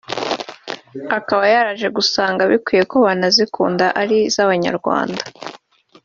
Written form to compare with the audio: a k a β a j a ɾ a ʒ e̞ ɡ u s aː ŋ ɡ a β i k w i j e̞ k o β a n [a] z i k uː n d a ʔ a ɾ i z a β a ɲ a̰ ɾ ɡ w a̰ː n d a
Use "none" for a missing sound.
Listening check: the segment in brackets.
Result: a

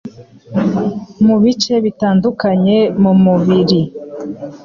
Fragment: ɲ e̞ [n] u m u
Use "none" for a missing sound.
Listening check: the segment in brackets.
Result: m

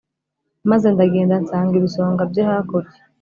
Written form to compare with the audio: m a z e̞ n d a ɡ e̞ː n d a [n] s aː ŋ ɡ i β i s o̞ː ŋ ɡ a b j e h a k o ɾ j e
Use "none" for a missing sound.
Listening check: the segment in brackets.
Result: n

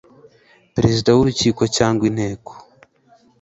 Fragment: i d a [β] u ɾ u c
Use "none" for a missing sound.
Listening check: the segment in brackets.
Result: w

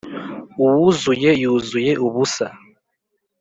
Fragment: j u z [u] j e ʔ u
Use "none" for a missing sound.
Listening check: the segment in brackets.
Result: u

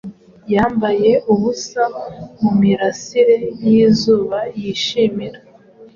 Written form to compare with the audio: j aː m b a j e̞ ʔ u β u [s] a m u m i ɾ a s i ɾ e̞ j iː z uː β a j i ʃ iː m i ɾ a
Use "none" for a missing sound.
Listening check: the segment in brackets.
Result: s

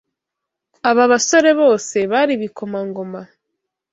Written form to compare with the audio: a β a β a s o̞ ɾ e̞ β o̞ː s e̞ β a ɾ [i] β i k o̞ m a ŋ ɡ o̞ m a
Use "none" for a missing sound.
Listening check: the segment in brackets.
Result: i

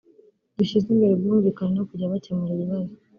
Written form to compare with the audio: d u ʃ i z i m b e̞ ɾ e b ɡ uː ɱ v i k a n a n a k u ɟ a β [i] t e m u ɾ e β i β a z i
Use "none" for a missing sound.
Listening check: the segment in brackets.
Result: a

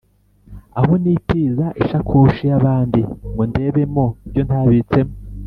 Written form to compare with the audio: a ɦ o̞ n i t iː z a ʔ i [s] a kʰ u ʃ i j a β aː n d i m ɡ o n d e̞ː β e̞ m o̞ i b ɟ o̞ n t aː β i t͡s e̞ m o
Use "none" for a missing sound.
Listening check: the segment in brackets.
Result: ʃ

